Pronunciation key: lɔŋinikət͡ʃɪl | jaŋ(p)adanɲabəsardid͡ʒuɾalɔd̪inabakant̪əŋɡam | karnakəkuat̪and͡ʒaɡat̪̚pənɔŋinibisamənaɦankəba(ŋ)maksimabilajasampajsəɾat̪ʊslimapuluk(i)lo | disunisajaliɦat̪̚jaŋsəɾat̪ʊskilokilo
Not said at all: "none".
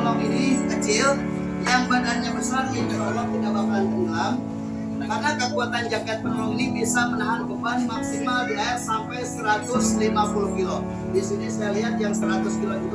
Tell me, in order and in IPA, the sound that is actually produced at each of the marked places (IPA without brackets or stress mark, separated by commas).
b, n, i